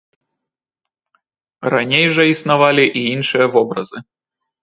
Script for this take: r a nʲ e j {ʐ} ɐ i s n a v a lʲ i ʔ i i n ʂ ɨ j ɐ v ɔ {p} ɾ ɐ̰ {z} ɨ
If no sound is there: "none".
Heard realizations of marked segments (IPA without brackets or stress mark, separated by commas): ʐ, b, z